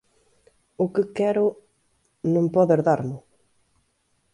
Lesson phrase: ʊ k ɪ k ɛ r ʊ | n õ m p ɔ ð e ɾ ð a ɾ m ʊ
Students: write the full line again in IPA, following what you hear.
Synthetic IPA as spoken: ʊ k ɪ k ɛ ɾ ʊ | n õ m p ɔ ð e ɾ ð a ɾ m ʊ